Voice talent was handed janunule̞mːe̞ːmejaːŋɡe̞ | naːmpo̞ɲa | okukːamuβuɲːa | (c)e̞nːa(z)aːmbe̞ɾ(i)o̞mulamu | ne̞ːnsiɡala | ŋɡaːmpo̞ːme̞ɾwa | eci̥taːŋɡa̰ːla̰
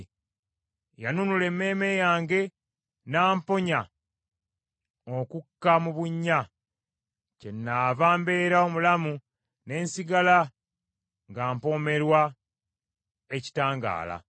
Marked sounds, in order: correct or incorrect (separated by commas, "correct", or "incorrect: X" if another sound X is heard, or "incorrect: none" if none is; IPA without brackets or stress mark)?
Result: correct, incorrect: v, incorrect: a